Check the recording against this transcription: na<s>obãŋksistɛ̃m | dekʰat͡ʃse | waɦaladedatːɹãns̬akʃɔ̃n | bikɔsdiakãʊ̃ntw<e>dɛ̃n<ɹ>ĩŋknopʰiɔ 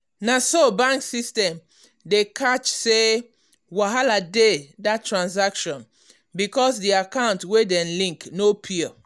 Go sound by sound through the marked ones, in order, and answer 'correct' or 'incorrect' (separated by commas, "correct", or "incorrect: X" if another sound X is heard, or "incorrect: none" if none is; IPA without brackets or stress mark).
correct, correct, incorrect: l